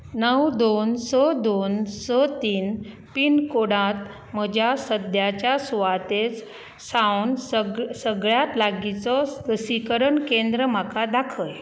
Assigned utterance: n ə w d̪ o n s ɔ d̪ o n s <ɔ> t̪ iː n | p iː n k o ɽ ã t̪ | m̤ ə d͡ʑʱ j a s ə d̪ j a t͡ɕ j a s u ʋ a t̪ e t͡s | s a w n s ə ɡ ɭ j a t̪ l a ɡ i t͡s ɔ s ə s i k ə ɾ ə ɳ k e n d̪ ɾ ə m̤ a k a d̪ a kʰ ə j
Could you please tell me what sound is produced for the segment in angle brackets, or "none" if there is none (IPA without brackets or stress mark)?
ɔ